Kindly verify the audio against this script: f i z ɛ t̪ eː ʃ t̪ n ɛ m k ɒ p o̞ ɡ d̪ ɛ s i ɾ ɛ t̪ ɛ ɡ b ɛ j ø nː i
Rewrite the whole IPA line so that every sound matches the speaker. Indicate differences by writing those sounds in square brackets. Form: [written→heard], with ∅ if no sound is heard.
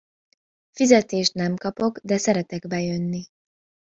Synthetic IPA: f i z ɛ t̪ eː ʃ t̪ n ɛ m k ɒ p o̞ ɡ d̪ ɛ s [i→ɛ] ɾ ɛ t̪ ɛ ɡ b ɛ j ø nː i